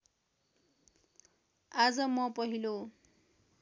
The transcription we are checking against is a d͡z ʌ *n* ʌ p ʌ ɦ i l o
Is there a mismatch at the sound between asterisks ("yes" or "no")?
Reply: yes